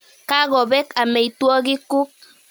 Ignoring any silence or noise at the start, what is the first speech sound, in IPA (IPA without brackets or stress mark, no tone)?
k